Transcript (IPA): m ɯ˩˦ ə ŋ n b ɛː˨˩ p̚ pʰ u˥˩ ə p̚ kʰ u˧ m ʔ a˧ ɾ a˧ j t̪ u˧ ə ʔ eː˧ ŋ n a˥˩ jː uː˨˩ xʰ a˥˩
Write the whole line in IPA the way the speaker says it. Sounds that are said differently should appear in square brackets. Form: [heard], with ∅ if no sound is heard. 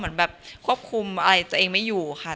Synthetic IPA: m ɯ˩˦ ə [∅] n b ɛː˨˩ p̚ [kʰ] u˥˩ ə p̚ kʰ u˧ m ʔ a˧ ɾ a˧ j t̪ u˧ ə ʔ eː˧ ŋ [m] a˥˩ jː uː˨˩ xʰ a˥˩